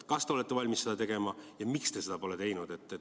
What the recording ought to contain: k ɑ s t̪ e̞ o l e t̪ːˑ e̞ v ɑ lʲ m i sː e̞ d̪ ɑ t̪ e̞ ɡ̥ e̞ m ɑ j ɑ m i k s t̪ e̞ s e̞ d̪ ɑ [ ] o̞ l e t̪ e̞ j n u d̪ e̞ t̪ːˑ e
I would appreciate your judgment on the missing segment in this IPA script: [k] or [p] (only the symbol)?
p